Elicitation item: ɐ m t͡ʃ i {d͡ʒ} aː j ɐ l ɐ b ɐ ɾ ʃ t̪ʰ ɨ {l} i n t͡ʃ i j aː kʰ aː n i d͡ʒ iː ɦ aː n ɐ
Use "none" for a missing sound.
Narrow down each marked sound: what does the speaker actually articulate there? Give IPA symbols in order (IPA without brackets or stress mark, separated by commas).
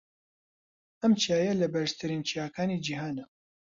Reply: none, ɾ